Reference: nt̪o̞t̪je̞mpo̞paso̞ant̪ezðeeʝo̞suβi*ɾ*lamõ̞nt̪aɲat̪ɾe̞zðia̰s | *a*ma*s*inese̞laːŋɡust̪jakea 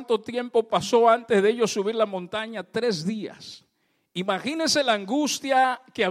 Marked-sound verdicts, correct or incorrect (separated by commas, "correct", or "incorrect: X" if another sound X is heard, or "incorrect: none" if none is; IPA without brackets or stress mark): correct, incorrect: i, incorrect: x